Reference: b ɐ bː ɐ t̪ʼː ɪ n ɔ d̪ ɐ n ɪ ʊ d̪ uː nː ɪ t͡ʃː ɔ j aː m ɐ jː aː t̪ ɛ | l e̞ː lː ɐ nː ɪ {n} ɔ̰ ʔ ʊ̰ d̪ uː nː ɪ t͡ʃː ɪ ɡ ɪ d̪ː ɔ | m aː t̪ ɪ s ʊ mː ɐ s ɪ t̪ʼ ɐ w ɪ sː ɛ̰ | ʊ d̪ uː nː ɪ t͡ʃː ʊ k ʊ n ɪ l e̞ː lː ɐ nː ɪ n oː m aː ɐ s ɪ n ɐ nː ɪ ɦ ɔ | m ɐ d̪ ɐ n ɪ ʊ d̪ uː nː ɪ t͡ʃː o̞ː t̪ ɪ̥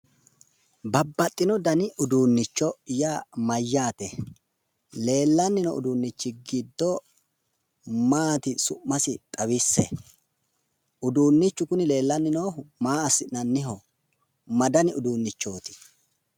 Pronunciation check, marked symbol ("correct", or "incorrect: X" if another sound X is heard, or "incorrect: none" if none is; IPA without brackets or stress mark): correct